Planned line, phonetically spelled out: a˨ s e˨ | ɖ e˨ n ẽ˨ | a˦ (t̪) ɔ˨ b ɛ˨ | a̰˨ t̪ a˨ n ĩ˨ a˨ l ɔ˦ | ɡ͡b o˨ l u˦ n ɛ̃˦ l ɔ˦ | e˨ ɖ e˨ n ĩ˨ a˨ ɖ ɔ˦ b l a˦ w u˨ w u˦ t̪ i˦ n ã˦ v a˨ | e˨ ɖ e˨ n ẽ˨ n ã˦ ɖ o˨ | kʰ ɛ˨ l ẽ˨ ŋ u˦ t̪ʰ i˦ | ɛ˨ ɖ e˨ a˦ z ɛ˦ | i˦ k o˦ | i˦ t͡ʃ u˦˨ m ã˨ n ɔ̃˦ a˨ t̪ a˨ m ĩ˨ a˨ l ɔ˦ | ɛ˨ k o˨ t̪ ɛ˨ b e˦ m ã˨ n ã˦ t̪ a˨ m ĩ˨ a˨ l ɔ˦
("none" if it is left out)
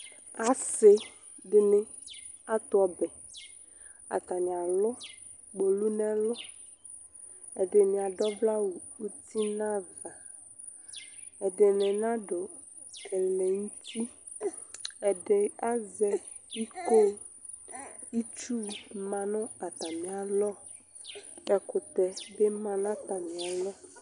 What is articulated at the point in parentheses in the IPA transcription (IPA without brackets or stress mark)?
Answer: t̪